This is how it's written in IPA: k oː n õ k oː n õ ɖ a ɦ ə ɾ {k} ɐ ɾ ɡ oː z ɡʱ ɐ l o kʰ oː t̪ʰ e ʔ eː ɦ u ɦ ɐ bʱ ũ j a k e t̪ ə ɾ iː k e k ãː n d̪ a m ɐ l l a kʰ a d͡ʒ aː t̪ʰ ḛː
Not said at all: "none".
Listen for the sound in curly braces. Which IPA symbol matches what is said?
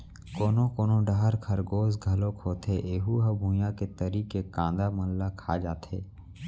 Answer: kʰ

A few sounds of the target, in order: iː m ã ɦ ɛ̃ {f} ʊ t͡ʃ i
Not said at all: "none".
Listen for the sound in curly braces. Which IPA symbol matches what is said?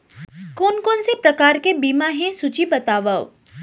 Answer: s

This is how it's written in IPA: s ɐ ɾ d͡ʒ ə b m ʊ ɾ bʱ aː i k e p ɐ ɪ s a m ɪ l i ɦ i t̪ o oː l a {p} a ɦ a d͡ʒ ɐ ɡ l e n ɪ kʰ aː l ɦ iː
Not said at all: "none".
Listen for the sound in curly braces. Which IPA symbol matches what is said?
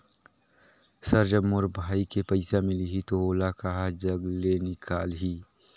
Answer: k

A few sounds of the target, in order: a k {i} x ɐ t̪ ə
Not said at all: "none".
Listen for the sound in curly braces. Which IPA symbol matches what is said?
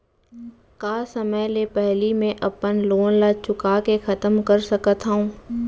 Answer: e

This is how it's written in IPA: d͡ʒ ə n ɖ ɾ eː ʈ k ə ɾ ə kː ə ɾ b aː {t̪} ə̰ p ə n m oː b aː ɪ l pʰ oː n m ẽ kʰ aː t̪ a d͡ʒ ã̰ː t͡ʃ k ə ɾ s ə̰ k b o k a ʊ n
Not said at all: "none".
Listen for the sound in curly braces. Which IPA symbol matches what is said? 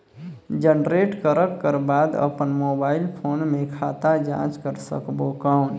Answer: d̪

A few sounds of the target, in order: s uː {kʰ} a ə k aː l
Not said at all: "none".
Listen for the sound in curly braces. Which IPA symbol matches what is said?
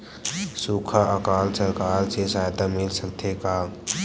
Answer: kʰ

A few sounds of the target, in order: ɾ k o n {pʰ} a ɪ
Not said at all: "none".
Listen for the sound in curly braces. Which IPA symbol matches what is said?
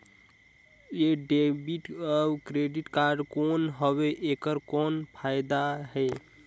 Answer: pʰ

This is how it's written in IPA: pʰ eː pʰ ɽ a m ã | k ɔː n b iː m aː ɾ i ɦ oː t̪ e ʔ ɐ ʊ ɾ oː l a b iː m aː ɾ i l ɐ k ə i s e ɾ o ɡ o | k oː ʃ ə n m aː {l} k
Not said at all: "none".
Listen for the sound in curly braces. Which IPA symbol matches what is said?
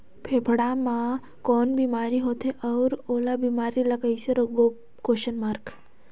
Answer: ɾ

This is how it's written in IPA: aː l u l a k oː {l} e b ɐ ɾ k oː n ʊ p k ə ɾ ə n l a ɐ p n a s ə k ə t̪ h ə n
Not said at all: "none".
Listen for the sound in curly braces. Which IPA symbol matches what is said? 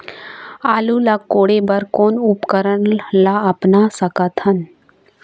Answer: ɽ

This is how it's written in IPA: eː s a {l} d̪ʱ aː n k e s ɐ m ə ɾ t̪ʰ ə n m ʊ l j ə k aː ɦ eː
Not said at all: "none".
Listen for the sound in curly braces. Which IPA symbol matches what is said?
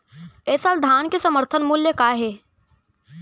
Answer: l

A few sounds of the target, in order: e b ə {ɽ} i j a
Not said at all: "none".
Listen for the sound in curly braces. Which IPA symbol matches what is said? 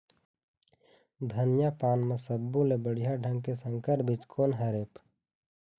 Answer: ɽ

